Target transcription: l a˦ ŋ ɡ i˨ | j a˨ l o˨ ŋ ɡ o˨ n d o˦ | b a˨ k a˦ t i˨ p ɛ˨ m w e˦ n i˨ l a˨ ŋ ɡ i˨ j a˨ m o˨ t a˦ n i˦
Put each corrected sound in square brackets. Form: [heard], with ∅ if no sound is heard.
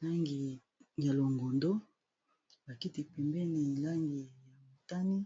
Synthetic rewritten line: l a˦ ŋ ɡ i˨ | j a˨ l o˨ ŋ ɡ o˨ n d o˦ | b a˨ k [i˦] t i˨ p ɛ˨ m [b] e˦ n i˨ l [a˦] ŋ ɡ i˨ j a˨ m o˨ t a˦ n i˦